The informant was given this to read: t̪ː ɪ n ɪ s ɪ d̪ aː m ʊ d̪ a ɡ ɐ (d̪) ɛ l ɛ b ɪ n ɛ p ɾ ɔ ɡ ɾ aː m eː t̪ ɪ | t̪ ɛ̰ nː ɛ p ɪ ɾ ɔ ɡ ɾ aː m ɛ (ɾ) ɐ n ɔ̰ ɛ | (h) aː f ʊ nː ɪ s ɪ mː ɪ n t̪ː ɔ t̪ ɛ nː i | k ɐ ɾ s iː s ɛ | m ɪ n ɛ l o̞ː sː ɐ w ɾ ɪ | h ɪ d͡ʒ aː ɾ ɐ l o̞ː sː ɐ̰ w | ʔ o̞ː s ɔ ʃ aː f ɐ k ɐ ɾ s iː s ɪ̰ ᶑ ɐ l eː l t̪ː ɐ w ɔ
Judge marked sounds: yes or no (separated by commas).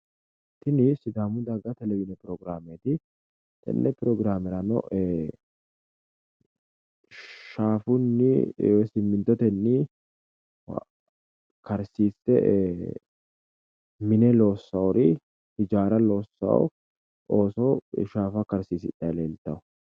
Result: no, yes, no